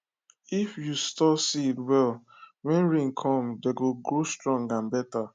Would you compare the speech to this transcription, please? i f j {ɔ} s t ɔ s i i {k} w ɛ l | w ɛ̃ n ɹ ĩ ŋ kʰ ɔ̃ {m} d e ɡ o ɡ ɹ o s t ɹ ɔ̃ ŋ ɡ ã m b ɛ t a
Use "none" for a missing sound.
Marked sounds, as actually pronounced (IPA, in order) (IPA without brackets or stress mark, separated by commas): u, t, m